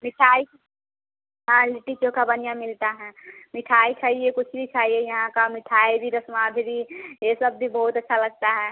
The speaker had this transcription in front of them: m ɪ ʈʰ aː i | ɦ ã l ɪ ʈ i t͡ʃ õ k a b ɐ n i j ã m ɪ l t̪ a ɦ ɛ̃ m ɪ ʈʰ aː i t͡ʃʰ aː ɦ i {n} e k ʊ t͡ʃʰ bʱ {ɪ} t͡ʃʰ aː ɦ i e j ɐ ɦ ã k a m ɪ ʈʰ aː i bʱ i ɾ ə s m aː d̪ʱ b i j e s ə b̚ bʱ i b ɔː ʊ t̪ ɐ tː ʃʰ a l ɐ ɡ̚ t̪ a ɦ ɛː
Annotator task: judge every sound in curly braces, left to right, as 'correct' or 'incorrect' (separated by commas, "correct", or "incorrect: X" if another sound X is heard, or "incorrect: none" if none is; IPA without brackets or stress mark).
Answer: incorrect: none, incorrect: i